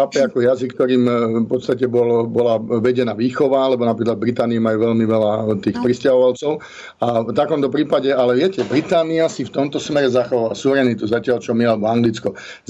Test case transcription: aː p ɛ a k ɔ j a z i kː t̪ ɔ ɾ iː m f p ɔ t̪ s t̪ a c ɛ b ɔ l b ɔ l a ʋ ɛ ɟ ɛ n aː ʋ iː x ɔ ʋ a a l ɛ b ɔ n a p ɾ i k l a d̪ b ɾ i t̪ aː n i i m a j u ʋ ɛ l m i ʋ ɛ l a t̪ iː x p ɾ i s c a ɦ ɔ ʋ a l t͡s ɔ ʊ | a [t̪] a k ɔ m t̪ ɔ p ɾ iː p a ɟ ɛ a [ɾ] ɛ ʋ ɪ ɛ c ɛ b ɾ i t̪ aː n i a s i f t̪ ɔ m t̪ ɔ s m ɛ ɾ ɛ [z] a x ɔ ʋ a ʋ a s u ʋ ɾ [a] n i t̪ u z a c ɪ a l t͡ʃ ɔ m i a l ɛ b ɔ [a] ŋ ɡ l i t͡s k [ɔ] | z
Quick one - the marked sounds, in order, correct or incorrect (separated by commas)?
correct, incorrect, correct, incorrect, correct, correct